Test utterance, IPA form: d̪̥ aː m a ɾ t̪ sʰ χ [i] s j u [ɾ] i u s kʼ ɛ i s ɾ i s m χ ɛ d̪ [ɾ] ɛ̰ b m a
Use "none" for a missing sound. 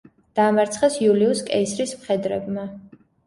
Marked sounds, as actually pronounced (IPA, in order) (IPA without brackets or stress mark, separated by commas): ɛ, l, ɾ